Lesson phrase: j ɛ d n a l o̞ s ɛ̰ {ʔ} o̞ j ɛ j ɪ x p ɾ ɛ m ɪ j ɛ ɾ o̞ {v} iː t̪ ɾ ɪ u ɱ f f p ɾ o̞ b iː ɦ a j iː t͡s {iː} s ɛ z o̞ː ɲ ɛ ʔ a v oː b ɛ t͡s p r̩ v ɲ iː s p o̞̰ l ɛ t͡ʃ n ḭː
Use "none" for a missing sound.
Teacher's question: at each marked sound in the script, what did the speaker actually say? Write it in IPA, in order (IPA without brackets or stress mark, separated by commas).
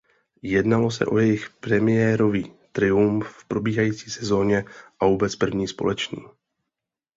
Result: ʔ, v, iː